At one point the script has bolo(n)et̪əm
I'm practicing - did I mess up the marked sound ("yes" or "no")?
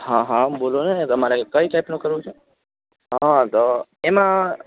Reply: no